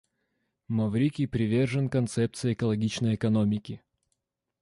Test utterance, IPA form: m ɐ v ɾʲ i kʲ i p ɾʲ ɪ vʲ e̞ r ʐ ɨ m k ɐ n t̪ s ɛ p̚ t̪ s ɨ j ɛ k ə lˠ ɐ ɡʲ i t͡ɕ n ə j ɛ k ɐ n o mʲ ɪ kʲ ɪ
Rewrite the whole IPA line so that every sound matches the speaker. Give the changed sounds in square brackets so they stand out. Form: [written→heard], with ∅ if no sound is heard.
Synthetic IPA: m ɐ v ɾʲ i kʲ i p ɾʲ ɪ vʲ e̞ r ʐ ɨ [m→n] k ɐ n t̪ s ɛ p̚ t̪ s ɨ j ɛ k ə lˠ ɐ ɡʲ i t͡ɕ n ə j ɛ k ɐ n o mʲ ɪ kʲ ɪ